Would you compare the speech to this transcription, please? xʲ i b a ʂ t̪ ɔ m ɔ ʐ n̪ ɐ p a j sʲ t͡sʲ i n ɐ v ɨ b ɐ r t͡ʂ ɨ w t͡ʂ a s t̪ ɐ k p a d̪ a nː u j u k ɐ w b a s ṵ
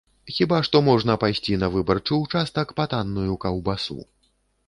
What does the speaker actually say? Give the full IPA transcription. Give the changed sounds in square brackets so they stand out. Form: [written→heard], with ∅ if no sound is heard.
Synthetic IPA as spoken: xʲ i b a ʂ t̪ ɔ m ɔ ʐ n̪ ɐ p a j sʲ t͡sʲ i n ɐ v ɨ b ɐ r t͡ʂ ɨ w t͡ʂ a s t̪ ɐ k p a [d̪→t̪] a nː u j u k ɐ w b a s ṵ

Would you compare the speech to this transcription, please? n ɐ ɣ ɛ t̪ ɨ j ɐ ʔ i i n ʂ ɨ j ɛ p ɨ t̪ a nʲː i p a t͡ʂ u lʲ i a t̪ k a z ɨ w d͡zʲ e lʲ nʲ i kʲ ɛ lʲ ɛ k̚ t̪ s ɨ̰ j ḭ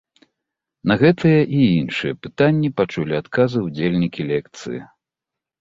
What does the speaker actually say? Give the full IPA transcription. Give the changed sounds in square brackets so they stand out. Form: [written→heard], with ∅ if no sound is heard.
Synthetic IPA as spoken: n ɐ ɣ ɛ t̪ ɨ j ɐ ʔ i i n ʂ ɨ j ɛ p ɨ t̪ a nʲː i p a t͡ʂ u lʲ i a t̪ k a z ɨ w d͡zʲ e lʲ nʲ i kʲ [ɛ→i] lʲ ɛ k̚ t̪ s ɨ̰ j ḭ

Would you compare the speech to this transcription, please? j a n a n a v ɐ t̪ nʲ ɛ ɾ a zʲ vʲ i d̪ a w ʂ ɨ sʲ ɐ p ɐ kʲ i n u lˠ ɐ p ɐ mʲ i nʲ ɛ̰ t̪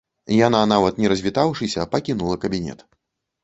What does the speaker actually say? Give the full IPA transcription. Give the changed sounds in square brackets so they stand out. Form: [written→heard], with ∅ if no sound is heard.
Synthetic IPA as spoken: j a n a n a v ɐ t̪ nʲ ɛ ɾ [a→ɐ] zʲ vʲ i [d̪→t̪] a w ʂ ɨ sʲ ɐ p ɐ kʲ i n u lˠ ɐ [p→k] ɐ [mʲ→bʲ] i nʲ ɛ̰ t̪

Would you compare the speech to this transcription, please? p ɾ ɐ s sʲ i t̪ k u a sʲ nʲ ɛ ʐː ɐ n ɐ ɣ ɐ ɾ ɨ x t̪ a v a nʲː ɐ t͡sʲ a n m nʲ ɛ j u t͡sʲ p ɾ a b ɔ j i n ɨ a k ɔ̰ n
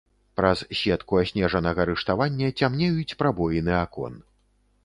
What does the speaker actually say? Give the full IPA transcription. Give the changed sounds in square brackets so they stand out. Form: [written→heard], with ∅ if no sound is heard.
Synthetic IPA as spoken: p ɾ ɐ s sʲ [i→ɛ] t̪ k u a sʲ nʲ ɛ [ʐː→ʐ] ɐ n ɐ ɣ ɐ ɾ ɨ [x→ʂ] t̪ a v a nʲː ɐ t͡sʲ a [n→∅] m nʲ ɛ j u t͡sʲ p ɾ a b ɔ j i n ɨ a k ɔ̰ n

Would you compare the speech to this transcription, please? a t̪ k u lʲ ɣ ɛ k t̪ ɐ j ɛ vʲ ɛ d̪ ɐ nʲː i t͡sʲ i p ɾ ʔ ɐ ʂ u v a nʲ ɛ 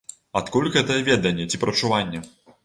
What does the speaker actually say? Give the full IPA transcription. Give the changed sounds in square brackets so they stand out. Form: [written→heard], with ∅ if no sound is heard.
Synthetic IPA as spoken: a t̪ k u lʲ ɣ ɛ [k→∅] t̪ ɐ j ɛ vʲ ɛ d̪ ɐ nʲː [i→ɛ] t͡sʲ i p ɾ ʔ ɐ [ʂ→t͡ʂ] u v a [nʲ→nʲː] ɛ

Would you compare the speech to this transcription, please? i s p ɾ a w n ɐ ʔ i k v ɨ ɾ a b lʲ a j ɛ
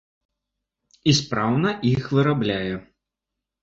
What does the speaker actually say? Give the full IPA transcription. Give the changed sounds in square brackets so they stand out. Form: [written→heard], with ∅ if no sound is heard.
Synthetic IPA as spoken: i s p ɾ a w n ɐ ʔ i [k→x] v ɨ ɾ a b lʲ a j ɛ

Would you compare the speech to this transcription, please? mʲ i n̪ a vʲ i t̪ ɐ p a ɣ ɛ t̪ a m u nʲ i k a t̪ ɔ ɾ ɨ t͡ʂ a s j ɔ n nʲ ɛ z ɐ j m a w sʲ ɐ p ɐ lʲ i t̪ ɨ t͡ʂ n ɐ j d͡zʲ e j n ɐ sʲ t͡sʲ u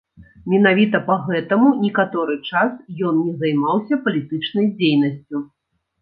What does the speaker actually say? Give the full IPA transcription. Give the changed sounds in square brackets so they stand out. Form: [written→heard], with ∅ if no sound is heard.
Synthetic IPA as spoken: mʲ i n̪ a vʲ i t̪ ɐ p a ɣ ɛ t̪ [a→ɐ] m u nʲ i k a t̪ ɔ ɾ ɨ t͡ʂ a s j ɔ n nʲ ɛ z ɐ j m a w sʲ ɐ p ɐ lʲ i t̪ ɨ t͡ʂ n ɐ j d͡zʲ e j n ɐ sʲ t͡sʲ u

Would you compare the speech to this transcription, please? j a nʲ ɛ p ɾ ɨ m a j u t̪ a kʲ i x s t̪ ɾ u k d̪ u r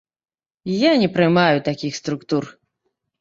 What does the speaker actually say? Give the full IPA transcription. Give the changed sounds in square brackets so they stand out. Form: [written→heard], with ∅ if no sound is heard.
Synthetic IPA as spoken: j a nʲ ɛ p ɾ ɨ m a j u t̪ a kʲ i x s t̪ ɾ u k [d̪→t̪] u r

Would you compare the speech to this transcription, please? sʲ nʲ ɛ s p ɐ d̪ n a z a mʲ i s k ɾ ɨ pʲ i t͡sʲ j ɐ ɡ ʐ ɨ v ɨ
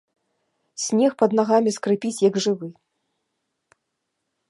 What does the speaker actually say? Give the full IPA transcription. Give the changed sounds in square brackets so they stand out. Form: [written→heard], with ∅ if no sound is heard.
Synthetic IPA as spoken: sʲ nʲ ɛ [s→x] p ɐ d̪ n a [z→ɣ] a mʲ i s k ɾ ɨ pʲ i t͡sʲ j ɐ ɡ ʐ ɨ v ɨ

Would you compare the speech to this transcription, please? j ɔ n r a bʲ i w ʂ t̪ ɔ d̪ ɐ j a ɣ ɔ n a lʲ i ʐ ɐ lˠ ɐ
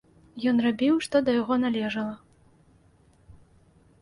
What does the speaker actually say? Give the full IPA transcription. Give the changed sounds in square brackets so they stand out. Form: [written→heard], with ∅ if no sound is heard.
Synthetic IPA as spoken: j ɔ n r a bʲ i w ʂ t̪ ɔ d̪ ɐ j a ɣ ɔ n a lʲ [i→ɛ] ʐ ɐ lˠ ɐ

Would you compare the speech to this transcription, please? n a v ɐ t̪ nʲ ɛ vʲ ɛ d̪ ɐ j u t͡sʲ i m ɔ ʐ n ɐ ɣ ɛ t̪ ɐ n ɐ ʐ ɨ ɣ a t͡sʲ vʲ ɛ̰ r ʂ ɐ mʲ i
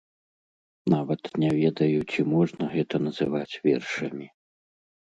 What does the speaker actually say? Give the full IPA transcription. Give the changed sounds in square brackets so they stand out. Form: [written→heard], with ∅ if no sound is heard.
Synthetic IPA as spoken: n a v ɐ t̪ nʲ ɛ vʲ ɛ d̪ ɐ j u t͡sʲ i m ɔ ʐ n ɐ ɣ ɛ t̪ ɐ n ɐ [ʐ→z] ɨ [ɣ→v] a t͡sʲ vʲ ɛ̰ r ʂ ɐ mʲ i

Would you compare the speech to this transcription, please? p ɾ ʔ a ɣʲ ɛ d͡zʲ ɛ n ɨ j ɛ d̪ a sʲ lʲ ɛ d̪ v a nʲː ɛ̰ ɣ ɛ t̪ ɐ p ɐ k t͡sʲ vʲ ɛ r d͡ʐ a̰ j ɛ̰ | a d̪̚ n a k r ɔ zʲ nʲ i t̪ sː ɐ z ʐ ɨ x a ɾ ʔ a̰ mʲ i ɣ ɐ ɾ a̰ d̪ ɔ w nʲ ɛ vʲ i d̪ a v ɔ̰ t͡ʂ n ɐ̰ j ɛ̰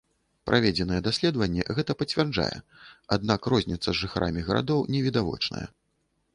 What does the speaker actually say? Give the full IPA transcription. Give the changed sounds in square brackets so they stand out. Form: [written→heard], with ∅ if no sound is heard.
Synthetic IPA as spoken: p ɾ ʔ a [ɣʲ→vʲ] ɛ d͡zʲ ɛ n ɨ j ɛ d̪ a sʲ lʲ ɛ d̪ v [a→ɐ] nʲː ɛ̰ ɣ ɛ t̪ ɐ p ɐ [k→∅] t͡sʲ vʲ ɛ r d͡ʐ a̰ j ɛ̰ | a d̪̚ n a k r ɔ zʲ nʲ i t̪ sː ɐ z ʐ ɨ x a ɾ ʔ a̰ mʲ i ɣ ɐ ɾ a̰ d̪ ɔ w nʲ ɛ vʲ i d̪ a v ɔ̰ t͡ʂ n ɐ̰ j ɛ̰

